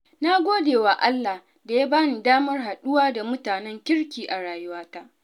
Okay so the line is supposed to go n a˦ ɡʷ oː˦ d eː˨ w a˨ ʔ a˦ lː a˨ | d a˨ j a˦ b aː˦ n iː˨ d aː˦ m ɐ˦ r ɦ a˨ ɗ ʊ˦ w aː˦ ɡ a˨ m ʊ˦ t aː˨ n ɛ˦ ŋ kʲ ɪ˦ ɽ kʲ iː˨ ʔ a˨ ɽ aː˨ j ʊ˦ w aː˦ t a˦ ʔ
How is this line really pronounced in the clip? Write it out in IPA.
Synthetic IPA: n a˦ ɡʷ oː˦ d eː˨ w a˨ ʔ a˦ lː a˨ | d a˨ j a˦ b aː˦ n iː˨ d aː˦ m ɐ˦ r ɦ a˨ ɗ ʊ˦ w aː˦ d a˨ m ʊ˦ t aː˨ n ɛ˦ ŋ kʲ ɪ˦ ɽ kʲ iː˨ ʔ a˨ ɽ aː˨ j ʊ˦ w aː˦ t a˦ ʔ